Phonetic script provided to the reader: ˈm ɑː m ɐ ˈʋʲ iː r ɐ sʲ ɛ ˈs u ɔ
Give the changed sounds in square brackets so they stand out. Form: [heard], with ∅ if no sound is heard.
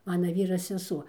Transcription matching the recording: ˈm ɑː [n] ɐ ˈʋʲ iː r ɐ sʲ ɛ ˈs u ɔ